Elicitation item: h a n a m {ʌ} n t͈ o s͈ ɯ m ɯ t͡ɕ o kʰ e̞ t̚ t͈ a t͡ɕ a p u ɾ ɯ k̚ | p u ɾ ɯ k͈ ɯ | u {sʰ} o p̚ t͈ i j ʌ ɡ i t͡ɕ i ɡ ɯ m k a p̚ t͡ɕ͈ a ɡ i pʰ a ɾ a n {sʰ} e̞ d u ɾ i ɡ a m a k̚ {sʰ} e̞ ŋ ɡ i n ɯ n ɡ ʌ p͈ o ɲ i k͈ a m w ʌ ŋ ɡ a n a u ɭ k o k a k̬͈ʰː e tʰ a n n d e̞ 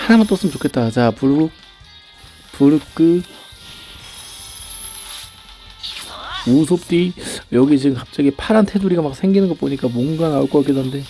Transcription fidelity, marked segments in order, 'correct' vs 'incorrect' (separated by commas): incorrect, correct, incorrect, correct